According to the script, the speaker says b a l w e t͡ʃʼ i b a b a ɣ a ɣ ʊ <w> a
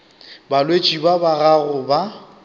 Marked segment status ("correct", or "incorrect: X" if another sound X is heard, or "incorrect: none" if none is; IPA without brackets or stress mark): incorrect: b